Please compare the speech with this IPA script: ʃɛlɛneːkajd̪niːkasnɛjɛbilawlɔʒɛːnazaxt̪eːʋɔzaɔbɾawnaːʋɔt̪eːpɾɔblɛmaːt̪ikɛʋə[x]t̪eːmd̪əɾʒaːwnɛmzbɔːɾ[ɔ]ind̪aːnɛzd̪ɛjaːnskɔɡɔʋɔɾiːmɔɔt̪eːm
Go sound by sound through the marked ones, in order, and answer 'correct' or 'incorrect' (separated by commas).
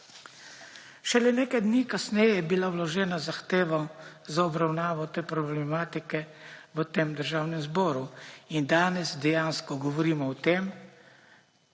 incorrect, incorrect